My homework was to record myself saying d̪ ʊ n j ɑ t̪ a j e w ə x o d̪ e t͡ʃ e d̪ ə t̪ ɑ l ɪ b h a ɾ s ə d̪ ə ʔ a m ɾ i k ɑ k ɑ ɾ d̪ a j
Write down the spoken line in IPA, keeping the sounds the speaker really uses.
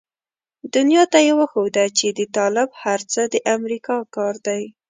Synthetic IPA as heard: d̪ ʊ n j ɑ t̪ a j e w ə x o d̪ a t͡ʃ e d̪ ə t̪ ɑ l ɪ b h a ɾ t͡s ə d̪ ə ʔ a m ɾ i k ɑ k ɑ ɾ d̪ a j